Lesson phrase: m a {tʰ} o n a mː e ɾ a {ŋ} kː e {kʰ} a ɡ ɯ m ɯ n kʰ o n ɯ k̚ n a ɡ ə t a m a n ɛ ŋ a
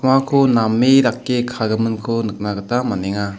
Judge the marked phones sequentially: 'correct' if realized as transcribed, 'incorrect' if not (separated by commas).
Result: incorrect, incorrect, correct